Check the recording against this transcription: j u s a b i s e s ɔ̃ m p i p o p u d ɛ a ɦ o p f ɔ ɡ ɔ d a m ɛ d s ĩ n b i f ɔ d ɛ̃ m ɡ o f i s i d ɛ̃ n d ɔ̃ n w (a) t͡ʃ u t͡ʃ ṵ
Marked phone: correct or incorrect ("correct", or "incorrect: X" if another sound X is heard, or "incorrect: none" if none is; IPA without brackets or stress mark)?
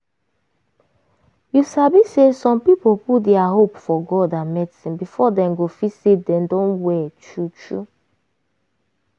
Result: incorrect: ɛ